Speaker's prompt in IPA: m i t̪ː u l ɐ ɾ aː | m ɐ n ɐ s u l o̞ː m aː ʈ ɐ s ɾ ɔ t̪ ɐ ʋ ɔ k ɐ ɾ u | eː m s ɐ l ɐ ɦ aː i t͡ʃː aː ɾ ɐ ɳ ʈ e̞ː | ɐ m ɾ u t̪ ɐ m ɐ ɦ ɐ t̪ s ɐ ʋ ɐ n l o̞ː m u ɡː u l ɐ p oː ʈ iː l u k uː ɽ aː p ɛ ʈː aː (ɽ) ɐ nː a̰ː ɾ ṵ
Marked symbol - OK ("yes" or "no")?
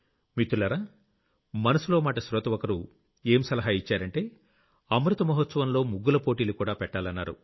no